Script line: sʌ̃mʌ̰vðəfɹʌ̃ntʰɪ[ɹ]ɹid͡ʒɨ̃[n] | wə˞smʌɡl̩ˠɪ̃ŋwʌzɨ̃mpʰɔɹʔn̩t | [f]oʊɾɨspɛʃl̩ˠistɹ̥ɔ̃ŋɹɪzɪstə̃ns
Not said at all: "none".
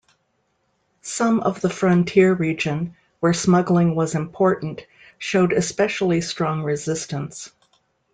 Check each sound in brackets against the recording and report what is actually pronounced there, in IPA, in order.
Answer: ɹ, n, ʃ

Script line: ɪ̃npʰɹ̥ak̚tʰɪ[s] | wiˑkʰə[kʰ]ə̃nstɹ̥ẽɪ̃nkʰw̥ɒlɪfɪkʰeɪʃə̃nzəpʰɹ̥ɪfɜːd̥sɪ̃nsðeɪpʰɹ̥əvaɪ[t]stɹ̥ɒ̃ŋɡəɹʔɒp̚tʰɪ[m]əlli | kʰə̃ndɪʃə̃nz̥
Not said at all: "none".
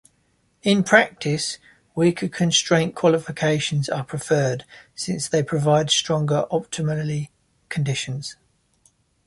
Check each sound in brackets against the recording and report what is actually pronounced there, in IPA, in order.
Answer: s, kʰ, d, m

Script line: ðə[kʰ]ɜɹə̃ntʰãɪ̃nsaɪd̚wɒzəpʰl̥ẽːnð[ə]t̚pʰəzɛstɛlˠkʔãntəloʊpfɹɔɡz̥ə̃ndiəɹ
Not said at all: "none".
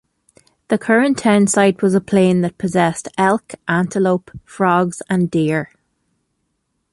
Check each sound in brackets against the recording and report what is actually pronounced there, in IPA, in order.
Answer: kʰ, ə

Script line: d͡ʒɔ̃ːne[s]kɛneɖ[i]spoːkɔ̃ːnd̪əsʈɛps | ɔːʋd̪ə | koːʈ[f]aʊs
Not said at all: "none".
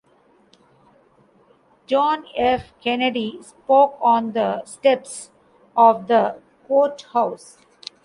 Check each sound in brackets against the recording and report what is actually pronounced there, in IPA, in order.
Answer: f, i, h

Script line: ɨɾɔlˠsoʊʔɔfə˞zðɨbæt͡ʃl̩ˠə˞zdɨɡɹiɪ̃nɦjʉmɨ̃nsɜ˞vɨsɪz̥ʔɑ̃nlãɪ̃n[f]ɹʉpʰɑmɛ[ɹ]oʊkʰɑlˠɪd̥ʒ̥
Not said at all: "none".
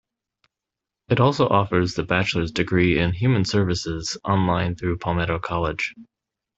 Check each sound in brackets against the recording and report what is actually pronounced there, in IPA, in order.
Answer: θ, ɾ

